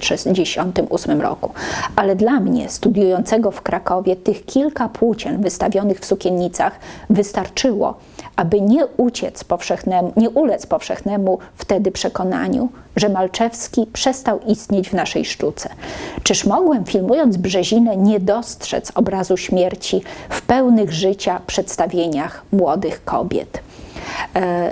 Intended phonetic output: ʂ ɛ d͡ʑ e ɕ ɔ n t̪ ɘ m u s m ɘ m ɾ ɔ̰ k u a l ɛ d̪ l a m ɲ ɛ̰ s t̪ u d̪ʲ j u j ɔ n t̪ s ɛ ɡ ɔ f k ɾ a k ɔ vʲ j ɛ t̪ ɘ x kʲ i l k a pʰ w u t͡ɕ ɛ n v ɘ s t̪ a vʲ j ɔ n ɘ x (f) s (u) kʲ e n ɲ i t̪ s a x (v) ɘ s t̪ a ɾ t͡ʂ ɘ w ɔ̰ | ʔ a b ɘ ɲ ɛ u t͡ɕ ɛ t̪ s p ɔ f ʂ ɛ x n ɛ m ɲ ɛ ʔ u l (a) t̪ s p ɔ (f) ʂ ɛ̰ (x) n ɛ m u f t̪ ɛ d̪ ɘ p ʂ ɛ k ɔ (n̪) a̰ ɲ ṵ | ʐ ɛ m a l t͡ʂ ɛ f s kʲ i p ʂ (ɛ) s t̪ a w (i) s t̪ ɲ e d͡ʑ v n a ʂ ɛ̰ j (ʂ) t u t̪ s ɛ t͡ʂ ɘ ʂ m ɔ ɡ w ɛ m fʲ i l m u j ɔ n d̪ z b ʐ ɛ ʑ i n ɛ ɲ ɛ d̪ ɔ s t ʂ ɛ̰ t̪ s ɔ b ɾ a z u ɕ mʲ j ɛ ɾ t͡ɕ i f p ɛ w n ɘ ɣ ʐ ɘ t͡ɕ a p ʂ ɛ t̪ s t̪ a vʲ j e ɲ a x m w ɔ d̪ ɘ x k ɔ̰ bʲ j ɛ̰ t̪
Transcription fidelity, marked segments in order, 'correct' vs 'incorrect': correct, correct, correct, incorrect, correct, correct, correct, correct, correct, correct

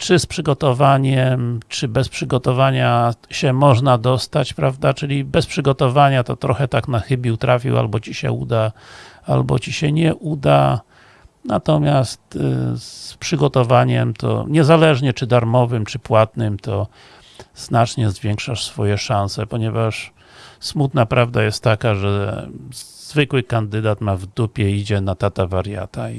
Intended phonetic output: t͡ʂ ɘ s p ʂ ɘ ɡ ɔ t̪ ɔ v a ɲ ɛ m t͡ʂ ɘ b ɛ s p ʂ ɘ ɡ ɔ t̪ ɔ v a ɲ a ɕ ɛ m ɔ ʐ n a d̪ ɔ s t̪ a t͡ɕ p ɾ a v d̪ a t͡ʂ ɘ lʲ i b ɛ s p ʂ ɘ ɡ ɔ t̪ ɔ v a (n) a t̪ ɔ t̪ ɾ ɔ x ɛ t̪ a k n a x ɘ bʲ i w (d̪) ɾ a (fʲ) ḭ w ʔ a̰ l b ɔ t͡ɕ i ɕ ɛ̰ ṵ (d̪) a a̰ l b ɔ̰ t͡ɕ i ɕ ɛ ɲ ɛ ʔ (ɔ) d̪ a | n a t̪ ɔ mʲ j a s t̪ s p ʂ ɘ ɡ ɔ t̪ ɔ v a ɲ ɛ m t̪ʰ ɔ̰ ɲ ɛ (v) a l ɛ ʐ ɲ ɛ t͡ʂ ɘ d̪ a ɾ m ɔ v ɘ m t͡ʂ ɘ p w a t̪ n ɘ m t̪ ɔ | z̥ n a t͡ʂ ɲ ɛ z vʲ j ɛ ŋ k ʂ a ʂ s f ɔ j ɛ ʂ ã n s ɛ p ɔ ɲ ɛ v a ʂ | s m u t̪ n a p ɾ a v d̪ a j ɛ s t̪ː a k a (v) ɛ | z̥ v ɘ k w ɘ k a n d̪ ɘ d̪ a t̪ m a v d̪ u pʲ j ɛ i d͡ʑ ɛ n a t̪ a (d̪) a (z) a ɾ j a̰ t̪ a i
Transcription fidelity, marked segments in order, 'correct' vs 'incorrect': incorrect, incorrect, correct, correct, incorrect, incorrect, incorrect, incorrect, incorrect

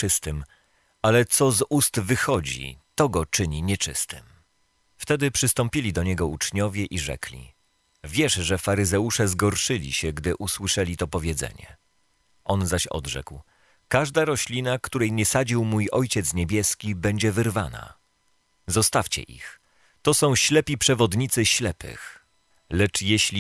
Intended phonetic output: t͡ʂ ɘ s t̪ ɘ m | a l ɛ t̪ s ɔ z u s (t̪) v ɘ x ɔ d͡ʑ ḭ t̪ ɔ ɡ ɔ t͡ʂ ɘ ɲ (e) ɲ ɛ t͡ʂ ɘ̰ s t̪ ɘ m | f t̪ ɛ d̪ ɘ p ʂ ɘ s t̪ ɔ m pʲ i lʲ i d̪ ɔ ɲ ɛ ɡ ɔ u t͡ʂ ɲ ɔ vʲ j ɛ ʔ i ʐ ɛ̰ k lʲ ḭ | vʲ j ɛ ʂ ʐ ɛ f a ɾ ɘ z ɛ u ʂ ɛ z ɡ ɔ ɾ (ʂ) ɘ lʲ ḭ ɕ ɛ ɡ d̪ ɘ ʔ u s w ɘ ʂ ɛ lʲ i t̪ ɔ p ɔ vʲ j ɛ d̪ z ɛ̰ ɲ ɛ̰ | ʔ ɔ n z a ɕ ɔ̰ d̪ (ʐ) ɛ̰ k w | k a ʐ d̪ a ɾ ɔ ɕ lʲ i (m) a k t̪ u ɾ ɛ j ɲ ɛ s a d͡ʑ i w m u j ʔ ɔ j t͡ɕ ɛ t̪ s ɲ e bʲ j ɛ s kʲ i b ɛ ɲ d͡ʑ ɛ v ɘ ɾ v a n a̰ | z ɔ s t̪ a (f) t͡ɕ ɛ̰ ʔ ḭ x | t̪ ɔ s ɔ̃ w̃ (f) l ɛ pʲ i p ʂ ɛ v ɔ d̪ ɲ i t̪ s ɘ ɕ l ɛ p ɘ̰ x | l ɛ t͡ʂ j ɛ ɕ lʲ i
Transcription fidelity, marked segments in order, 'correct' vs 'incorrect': correct, incorrect, correct, correct, incorrect, correct, incorrect

